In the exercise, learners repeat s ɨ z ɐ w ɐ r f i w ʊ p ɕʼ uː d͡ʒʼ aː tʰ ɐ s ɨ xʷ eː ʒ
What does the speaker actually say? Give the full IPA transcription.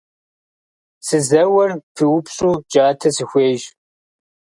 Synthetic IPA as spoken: s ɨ z ɐ w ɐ r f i w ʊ p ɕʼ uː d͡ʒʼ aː tʰ ɐ s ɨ xʷ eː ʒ